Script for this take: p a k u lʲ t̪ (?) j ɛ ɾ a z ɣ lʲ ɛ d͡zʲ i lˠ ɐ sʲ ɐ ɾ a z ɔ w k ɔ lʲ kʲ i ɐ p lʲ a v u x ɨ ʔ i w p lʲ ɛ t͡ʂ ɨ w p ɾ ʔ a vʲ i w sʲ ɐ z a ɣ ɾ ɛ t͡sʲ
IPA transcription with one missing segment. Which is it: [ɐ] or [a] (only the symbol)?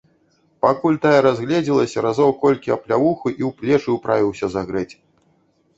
a